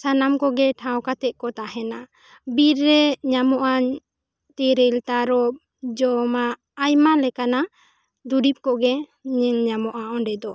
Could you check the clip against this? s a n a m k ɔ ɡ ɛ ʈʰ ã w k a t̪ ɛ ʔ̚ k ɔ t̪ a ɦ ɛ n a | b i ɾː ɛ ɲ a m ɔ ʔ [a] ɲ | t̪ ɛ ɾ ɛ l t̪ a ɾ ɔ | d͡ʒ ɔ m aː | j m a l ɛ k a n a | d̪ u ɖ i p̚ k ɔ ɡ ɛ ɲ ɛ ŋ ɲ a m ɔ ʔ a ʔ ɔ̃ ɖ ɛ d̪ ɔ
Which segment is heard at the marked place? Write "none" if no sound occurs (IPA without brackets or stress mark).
a